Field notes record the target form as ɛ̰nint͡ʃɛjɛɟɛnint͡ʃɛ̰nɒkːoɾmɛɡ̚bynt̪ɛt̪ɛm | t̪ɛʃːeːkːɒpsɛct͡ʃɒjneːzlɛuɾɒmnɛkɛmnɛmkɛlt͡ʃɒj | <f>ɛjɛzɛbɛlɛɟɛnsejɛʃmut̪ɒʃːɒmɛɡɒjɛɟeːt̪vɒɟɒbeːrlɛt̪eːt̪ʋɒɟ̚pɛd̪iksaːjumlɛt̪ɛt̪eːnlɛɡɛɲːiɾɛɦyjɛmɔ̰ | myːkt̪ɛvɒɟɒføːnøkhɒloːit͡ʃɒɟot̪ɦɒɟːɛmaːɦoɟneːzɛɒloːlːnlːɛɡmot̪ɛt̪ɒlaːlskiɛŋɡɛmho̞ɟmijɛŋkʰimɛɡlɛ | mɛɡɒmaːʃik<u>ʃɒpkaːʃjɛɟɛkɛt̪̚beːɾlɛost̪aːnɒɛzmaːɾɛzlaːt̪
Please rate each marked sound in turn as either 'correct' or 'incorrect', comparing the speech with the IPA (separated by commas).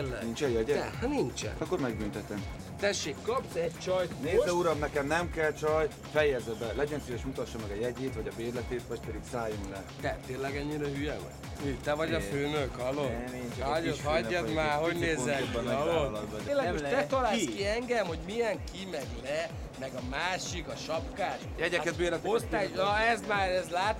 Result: correct, incorrect